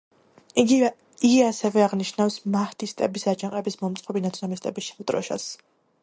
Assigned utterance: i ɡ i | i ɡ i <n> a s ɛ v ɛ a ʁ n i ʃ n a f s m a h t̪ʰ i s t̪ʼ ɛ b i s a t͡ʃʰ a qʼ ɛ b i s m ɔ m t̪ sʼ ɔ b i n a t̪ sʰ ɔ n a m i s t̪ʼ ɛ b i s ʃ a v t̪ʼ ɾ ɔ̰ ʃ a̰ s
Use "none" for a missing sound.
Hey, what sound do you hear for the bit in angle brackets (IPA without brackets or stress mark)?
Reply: none